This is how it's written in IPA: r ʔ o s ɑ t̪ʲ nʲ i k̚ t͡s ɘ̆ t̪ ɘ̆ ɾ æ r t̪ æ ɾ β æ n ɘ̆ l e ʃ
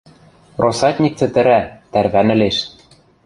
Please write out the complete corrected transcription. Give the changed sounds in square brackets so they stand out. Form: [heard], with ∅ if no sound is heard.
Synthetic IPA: r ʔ o s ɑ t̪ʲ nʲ i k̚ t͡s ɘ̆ t̪ ɘ̆ ɾ æ [∅] t̪ æ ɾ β æ n ɘ̆ l e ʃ